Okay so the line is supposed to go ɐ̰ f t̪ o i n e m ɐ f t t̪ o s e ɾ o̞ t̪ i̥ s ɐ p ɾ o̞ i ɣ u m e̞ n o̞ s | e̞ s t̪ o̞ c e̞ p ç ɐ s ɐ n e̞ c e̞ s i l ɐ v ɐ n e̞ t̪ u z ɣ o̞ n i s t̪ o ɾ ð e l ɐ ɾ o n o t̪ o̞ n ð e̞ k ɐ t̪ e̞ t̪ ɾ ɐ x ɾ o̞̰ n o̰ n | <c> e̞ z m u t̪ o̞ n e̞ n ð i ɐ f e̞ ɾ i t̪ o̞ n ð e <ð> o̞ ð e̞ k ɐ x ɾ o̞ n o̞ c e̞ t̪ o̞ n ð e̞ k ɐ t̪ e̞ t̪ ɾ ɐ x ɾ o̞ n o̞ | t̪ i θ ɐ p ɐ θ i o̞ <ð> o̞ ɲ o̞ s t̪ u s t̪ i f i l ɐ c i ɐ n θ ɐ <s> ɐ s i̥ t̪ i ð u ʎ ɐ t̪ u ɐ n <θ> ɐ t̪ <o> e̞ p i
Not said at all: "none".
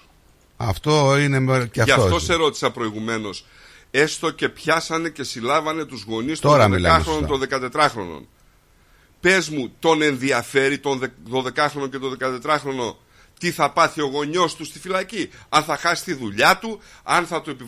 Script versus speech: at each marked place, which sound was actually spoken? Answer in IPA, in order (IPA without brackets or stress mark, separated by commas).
p, ð, ɣ, x, θ, u